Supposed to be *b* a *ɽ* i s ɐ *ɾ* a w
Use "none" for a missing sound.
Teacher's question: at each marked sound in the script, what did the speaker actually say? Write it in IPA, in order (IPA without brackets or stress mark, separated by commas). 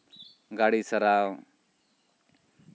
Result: ɡ, ɽ, ɾ